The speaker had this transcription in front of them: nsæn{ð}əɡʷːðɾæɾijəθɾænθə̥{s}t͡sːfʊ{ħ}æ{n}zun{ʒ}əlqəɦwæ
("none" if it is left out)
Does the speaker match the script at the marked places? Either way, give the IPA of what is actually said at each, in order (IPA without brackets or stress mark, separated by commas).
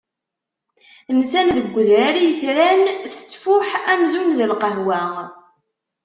ð, none, ħ, m, ð